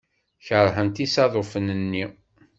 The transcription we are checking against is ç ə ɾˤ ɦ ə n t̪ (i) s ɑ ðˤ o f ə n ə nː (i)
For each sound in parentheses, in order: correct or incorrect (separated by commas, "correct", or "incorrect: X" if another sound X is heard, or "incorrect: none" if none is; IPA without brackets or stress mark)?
correct, correct